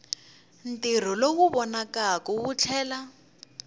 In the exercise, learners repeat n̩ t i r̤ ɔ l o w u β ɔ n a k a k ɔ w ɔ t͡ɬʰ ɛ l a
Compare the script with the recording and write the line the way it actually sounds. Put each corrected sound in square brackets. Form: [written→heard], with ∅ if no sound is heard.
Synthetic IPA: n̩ t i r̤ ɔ l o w u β ɔ n a k a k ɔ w [ɔ→u] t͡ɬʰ [ɛ→ɛː] l a

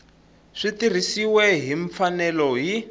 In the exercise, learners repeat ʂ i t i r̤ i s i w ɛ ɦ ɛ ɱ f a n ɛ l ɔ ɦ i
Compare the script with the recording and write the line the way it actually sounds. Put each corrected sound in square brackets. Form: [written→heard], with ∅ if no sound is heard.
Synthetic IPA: ʂ i t i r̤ i s i w ɛ ɦ [ɛ→i] ɱ f a n ɛ l ɔ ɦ i

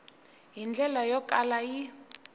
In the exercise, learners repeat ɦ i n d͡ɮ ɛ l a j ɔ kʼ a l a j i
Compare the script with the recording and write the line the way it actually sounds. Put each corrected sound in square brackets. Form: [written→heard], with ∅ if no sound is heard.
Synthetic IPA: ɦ i n d͡ɮ ɛ l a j ɔ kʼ a l a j i

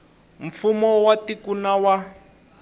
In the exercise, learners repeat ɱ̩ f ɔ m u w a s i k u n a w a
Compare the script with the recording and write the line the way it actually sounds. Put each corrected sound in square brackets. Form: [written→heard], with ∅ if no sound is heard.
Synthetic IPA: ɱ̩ f [ɔ→u] m [u→ɔ] w a [s→t] i k u n a w a

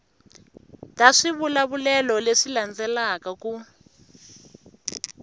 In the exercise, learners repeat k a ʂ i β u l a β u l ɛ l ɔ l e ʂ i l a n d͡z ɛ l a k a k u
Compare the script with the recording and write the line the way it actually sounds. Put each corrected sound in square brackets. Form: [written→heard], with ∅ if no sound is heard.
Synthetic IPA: [k→t] a ʂ i β u l a β u l ɛ l ɔ l e ʂ i l a n d͡z ɛ l a k a k u

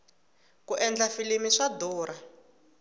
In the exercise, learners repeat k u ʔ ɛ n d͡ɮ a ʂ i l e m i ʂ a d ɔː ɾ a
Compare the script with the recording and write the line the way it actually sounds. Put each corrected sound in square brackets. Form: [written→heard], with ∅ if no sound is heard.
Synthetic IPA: k u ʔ ɛ n d͡ɮ a [ʂ→f] i l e m i ʂ a d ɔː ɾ a

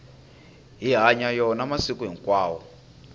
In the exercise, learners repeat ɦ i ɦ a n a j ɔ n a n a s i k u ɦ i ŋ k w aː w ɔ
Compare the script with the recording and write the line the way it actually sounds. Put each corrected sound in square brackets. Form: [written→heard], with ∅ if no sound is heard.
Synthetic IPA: ɦ i ɦ a [n→ɲ] a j ɔ n a [n→m] a s i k u ɦ i ŋ k w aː w ɔ

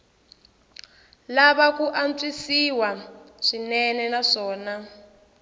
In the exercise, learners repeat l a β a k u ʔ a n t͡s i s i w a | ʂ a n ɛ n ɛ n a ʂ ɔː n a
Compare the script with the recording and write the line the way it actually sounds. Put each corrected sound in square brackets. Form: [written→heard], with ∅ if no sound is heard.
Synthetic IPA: l a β a k u ʔ a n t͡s i s i w a | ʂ [a→i] n ɛ n ɛ n a ʂ ɔː n a

